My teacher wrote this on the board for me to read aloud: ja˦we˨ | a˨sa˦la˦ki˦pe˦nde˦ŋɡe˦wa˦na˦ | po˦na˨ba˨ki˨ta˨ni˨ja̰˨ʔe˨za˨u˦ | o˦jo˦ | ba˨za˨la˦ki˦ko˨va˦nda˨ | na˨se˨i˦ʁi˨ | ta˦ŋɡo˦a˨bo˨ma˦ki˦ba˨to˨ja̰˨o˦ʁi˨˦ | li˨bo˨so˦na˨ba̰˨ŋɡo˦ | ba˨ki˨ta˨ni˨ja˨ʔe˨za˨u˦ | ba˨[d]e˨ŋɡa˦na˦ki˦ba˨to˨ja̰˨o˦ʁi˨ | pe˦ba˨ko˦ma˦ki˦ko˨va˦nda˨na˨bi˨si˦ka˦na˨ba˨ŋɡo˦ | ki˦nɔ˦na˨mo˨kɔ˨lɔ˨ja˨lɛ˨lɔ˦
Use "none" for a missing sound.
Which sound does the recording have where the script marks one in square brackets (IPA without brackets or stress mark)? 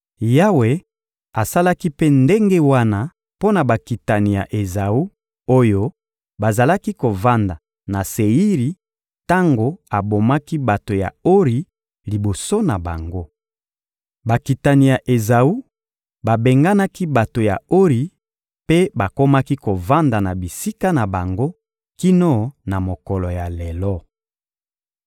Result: b